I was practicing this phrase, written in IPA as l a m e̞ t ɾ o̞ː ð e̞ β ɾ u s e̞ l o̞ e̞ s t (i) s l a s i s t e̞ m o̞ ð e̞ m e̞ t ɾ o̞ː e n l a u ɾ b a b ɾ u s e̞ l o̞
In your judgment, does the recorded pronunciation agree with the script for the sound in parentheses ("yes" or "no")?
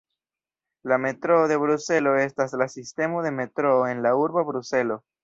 no